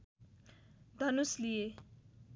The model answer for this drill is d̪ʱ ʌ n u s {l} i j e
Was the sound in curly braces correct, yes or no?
yes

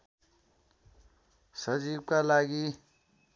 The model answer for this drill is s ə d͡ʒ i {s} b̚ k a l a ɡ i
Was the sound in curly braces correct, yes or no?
no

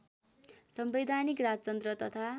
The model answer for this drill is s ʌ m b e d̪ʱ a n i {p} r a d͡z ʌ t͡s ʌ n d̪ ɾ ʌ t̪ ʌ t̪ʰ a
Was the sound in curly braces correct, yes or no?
no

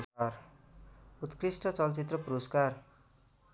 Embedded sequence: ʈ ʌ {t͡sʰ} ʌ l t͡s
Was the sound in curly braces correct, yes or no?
no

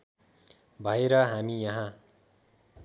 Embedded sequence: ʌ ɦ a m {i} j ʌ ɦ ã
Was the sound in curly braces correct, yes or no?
yes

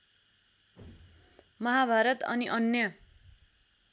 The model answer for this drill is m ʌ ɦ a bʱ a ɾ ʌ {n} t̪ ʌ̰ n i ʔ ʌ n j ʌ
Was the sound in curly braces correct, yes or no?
no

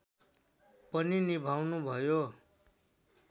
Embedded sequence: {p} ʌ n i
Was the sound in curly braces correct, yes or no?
yes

